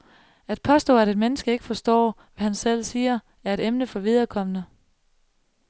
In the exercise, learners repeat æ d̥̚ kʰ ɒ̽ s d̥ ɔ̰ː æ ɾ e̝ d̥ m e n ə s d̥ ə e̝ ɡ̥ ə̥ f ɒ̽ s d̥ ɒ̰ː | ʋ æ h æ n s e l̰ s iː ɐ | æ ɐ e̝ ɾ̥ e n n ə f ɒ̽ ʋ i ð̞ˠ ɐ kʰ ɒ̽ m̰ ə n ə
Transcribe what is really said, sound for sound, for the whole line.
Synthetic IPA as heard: æ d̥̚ pʰ ɒ̽ s d̥ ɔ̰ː æ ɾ e̝ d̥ m e n ə s ɡ̥ ə e̝ ɡ̥ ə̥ f ɒ̽ s d̥ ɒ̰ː | ʋ æ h æ n s e l̰ s iː ɐ | æ ɐ e̝ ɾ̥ e m n ə f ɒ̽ ʋ i ð̞ˠ ɐ kʰ ɒ̽ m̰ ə n ə